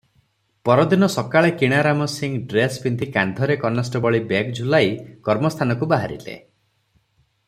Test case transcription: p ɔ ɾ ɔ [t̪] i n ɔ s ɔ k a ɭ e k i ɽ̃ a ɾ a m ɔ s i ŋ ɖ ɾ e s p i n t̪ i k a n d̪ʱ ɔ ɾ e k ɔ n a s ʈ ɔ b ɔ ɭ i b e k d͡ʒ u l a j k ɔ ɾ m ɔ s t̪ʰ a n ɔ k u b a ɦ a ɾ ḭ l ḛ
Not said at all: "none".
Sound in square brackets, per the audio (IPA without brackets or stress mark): d̪